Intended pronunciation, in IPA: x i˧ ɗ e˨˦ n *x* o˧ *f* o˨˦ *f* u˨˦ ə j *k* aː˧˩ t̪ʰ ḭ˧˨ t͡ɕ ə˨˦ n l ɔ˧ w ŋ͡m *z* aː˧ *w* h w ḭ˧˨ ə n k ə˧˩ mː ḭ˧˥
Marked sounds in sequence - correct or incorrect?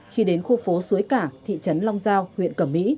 correct, correct, incorrect: s, correct, correct, correct

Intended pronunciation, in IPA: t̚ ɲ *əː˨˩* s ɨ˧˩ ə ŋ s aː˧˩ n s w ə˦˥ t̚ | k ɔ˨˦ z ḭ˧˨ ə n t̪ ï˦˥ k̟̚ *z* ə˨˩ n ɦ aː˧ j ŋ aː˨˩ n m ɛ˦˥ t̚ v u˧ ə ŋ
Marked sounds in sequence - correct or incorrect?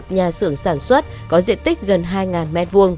incorrect: aː˨˩, incorrect: ɣ

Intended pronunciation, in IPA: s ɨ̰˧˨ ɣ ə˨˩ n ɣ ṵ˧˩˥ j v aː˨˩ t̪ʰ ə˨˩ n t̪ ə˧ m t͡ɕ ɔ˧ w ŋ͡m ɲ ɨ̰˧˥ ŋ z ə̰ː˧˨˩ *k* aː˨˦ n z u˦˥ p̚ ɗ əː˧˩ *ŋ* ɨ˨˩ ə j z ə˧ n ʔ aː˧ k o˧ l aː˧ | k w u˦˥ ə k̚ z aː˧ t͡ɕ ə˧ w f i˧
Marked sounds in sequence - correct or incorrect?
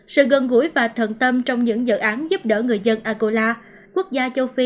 incorrect: ʔ, correct

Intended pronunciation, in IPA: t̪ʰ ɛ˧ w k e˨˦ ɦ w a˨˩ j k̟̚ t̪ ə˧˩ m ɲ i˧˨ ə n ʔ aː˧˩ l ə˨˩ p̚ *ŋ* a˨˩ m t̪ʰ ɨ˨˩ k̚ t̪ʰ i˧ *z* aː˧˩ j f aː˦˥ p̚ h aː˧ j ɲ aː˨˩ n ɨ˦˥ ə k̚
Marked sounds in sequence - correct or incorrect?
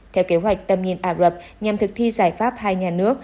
incorrect: ɲ, correct

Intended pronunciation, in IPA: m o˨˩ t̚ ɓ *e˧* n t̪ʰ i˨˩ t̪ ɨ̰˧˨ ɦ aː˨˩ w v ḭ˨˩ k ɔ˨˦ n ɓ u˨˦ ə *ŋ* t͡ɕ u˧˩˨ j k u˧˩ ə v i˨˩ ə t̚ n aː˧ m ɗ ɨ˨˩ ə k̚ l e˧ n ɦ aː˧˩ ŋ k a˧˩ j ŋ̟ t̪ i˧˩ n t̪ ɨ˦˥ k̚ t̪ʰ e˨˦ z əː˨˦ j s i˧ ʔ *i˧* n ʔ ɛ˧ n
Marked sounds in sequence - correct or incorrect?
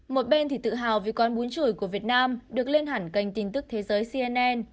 correct, incorrect: n, incorrect: ɛ˧

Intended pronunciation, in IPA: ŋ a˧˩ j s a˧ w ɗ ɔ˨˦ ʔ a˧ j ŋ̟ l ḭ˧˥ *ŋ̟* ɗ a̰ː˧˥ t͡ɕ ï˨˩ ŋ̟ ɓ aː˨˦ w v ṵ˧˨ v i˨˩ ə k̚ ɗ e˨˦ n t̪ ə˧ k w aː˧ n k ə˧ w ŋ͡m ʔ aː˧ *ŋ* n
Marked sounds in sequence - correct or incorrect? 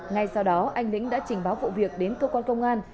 correct, incorrect: none

